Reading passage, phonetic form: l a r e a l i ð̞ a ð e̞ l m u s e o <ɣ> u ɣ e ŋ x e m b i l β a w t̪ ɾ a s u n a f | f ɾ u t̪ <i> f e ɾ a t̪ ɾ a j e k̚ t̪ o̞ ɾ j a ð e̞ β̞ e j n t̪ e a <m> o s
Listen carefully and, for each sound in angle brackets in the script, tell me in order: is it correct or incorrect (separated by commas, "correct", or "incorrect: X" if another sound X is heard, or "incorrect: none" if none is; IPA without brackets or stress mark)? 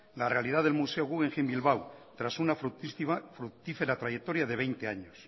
correct, correct, incorrect: ɲ